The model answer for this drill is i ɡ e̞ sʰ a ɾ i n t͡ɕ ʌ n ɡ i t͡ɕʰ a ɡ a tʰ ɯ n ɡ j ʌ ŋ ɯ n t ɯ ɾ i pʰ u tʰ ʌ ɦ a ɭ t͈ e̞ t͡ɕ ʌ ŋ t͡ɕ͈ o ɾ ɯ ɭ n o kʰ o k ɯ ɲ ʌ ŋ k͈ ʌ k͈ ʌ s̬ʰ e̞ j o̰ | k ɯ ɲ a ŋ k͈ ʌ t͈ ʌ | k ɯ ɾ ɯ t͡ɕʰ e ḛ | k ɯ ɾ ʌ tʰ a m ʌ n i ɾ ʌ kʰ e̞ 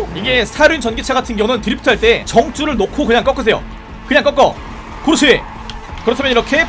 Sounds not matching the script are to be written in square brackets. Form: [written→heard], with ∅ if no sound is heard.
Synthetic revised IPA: i ɡ e̞ sʰ a ɾ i n t͡ɕ ʌ n ɡ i t͡ɕʰ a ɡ a tʰ ɯ n ɡ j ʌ ŋ ɯ n t ɯ ɾ i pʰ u tʰ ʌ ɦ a ɭ t͈ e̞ t͡ɕ ʌ ŋ t͡ɕ͈ [o→u] ɾ ɯ ɭ n o kʰ o k ɯ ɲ [ʌ→a] ŋ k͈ ʌ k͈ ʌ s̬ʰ e̞ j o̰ | k ɯ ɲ a ŋ k͈ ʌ [t͈→k͈] ʌ | k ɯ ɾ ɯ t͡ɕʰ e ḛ | k ɯ ɾ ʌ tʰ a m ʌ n i ɾ ʌ kʰ e̞